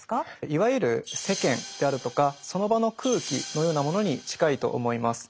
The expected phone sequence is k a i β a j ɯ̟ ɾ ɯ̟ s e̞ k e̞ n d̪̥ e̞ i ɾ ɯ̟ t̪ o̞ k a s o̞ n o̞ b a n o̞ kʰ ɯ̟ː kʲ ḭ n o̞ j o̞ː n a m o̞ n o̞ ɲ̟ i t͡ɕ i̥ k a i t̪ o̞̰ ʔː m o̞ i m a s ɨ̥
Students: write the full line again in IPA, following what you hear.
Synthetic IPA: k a i β a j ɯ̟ ɾ ɯ̟ s e̞ k ẽ̞ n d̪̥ e̞ a ɾ ɯ̟ t̪ o̞ k a s o̞ n o̞ b a n o̞ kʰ ɯ̟ː kʲ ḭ n o̞ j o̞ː n a m o̞ n o̞ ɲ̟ i t͡ɕ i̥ k a i t̪ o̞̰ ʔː m o̞ i m a s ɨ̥